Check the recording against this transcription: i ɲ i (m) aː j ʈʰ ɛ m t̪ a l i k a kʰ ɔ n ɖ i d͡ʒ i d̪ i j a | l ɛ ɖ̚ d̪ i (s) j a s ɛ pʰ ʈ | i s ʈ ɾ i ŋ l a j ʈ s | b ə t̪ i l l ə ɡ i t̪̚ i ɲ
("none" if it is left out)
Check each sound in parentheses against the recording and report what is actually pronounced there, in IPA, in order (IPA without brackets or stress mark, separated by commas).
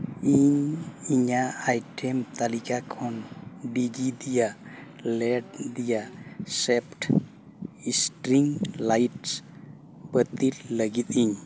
ɲ, none